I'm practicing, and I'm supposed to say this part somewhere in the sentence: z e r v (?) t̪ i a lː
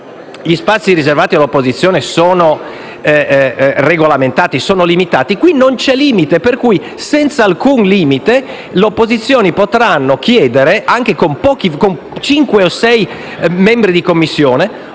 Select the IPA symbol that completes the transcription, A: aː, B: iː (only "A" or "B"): A